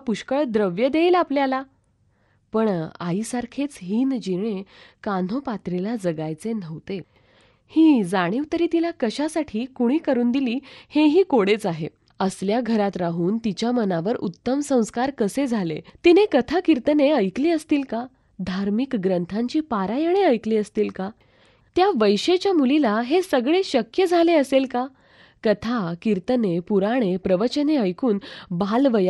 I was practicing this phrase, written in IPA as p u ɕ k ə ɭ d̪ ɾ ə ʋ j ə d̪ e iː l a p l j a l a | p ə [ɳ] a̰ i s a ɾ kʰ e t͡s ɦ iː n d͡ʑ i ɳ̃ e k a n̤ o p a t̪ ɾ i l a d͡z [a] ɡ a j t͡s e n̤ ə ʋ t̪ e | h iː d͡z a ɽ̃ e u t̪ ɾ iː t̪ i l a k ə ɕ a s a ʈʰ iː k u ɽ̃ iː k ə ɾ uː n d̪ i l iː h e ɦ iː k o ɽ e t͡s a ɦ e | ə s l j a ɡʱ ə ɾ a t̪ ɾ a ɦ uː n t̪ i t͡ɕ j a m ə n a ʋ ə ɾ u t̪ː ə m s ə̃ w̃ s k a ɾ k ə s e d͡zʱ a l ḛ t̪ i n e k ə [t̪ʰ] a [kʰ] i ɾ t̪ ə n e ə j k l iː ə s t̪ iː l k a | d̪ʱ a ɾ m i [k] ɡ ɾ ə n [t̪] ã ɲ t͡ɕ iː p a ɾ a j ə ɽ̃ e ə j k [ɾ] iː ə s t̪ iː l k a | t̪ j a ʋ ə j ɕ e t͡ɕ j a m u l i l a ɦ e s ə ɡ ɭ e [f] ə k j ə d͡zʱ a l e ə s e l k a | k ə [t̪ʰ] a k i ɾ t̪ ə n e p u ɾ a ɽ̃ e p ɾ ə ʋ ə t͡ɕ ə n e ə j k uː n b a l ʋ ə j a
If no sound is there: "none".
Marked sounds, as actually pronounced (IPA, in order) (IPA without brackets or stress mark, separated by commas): ɳ, ə, t̪ʰ, k, k, t̪ʰ, l, ɕ, t̪ʰ